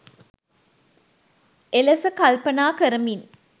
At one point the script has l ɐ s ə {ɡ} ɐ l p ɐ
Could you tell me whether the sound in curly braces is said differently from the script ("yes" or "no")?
yes